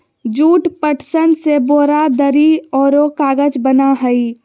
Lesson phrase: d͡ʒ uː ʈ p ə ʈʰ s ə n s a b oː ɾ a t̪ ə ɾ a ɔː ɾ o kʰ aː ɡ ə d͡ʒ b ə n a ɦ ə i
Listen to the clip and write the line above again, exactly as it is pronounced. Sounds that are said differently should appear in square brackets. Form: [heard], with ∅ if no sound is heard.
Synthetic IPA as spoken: d͡ʒ uː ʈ p ə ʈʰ s ə n s [e] b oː ɾ a [d̪] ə ɾ [i] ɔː ɾ o [k] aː ɡ ə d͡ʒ b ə n a ɦ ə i